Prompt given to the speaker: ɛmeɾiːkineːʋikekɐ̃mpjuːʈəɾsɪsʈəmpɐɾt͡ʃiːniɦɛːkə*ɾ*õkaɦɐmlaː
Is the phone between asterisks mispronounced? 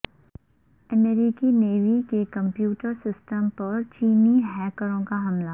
no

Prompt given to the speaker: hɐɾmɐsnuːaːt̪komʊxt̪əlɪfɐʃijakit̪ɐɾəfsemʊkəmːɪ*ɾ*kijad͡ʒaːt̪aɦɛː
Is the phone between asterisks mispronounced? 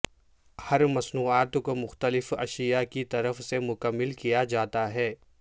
yes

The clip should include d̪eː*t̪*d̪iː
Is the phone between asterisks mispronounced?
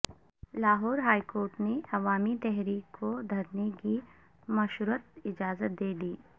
yes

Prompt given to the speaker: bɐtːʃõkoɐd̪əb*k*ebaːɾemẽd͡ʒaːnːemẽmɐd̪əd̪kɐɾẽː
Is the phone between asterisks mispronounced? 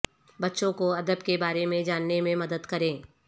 no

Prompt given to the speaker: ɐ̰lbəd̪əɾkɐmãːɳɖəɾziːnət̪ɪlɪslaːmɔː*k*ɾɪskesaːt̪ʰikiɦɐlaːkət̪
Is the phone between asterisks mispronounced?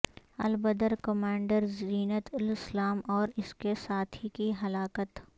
yes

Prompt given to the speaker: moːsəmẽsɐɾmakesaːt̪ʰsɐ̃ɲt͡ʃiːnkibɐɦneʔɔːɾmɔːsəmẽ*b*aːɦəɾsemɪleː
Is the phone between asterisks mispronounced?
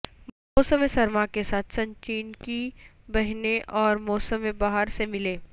no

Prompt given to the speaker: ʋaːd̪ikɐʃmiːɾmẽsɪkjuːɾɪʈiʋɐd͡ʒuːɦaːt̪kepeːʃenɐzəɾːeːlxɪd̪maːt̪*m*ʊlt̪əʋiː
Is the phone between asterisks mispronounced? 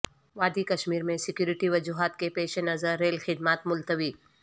no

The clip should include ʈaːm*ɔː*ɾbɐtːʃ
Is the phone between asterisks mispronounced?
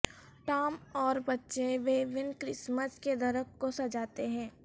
no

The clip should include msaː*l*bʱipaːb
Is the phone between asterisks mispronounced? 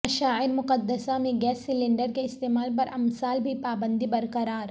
no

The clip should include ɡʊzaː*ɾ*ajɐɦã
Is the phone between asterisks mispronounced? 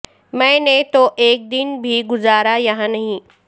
no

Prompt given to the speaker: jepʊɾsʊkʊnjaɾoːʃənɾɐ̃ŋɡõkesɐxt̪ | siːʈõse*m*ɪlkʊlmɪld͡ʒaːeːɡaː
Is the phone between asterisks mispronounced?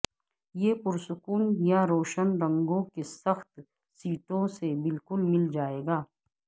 yes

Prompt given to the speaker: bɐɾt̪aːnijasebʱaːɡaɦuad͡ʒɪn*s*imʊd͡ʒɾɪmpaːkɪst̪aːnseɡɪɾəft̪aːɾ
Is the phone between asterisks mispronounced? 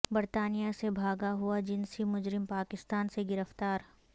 no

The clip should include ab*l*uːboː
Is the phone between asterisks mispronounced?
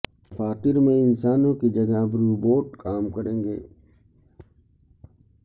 yes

